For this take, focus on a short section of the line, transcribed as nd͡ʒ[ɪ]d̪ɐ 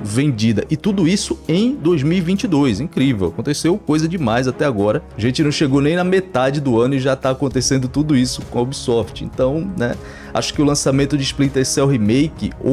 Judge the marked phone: incorrect: i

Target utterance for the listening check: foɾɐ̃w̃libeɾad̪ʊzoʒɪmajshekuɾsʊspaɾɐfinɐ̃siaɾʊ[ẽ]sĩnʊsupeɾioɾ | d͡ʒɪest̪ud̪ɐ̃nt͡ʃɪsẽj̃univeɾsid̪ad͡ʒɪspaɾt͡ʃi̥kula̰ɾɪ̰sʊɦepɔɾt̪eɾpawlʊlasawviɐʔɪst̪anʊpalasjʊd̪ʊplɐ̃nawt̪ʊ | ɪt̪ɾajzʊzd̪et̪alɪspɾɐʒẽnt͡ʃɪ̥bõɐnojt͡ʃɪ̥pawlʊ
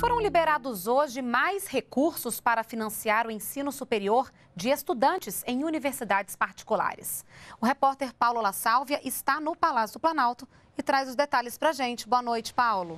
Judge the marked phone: correct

